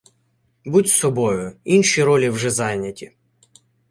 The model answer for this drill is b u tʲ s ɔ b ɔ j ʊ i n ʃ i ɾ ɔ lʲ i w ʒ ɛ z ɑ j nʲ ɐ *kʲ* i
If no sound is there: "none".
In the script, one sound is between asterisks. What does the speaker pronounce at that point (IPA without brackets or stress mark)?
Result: tʲ